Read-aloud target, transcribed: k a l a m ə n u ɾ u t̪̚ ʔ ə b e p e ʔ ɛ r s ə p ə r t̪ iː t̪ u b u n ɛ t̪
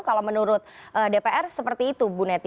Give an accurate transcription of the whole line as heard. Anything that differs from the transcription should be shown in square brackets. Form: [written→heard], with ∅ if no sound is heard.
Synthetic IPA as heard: k a l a m ə n u ɾ [u→ʊ] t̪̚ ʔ ə [b→d] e p e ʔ ɛ r s ə p ə r t̪ iː t̪ u b u n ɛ t̪